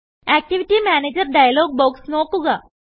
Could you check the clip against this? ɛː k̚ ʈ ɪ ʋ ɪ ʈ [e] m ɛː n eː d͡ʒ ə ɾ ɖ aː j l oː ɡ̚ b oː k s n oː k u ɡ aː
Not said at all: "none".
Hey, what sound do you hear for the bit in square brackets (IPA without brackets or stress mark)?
i